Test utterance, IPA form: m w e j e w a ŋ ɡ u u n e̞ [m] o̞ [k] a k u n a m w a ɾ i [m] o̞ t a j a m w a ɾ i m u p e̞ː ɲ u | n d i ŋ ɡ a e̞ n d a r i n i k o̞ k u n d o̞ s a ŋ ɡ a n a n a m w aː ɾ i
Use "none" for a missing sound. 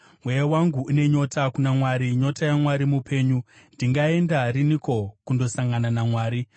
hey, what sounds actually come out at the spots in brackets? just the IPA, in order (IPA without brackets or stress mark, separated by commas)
ɲ, t, ɲ